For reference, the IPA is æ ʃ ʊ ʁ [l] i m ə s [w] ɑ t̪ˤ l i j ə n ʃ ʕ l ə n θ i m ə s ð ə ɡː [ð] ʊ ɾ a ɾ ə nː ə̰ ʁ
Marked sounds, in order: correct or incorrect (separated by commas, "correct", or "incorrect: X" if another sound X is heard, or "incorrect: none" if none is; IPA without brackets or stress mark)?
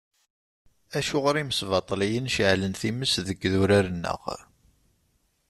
incorrect: ɾ, incorrect: v, correct